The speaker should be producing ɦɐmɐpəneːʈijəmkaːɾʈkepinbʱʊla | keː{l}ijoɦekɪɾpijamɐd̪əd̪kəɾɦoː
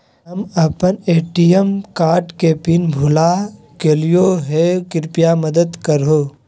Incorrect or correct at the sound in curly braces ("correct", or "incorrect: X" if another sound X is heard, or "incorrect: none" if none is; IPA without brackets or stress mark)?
correct